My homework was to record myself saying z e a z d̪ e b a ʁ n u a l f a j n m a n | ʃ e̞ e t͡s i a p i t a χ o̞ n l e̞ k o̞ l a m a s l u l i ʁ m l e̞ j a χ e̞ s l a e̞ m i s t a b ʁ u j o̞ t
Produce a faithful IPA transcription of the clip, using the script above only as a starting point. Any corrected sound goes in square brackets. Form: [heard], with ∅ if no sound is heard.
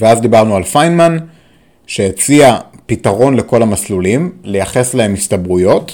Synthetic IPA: [v] e a z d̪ [i] b a ʁ n u a l f a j n m a n | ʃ e̞ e t͡s i a p i t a [ʁ] o̞ n l e̞ k o̞ l a m a s l u l i [∅] m l e̞ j a χ e̞ s l a e̞ m i s t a b ʁ u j o̞ t